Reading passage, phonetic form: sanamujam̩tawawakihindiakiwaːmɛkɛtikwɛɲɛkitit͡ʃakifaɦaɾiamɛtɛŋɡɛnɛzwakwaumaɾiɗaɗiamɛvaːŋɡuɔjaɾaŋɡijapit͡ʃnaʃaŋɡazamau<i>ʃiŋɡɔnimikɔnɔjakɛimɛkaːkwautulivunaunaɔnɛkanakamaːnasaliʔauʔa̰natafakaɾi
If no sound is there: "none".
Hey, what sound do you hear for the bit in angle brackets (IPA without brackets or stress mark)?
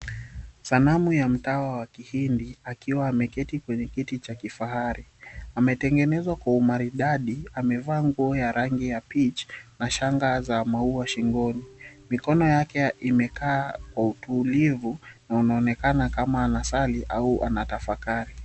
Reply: a